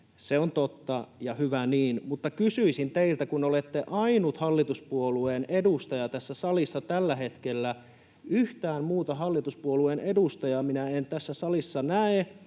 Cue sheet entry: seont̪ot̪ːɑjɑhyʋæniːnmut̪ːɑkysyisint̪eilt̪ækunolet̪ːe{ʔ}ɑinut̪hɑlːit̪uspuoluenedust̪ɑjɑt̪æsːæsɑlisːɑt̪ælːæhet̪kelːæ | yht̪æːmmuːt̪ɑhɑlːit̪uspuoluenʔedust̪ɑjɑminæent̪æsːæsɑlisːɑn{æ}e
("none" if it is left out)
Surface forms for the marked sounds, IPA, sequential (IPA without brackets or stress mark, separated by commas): ʔ, æ